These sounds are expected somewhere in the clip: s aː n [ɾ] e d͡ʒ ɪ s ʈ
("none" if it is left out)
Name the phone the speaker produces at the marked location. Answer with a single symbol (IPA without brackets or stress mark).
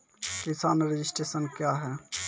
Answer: ɾ